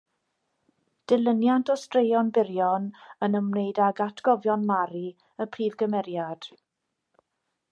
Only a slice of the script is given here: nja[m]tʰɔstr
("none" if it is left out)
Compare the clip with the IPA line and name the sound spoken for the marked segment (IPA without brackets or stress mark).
n